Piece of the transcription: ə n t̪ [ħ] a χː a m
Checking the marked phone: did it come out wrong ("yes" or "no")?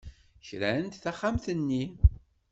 yes